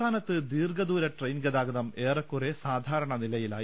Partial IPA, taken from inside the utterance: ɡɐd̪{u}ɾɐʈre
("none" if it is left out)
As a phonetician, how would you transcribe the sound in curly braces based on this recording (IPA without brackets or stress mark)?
uː